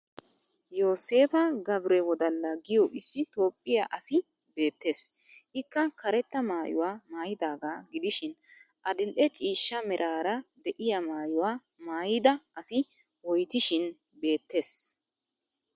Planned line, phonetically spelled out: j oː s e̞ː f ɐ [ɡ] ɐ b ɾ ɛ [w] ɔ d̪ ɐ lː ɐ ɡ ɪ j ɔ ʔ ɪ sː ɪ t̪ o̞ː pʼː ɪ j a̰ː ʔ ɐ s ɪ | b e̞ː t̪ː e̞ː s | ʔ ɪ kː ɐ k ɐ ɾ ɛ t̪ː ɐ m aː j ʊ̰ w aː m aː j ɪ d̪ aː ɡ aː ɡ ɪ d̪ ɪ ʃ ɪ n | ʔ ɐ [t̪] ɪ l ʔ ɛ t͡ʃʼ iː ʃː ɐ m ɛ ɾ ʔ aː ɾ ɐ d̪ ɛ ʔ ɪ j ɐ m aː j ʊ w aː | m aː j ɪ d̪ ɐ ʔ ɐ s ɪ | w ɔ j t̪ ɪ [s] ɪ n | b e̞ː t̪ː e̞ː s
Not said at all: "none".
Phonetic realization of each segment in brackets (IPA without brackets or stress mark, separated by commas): ɡ, w, d̪, ʃ